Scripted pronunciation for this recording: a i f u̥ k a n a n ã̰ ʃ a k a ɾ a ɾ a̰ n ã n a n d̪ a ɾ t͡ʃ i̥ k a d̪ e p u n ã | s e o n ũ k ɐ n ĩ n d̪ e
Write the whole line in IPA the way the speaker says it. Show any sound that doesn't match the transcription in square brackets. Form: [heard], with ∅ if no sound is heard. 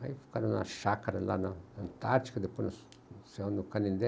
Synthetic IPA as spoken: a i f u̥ k a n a n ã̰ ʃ a k a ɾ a [l] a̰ n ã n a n [t̪] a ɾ t͡ʃ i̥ k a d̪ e p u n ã | s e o n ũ k [a] n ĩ n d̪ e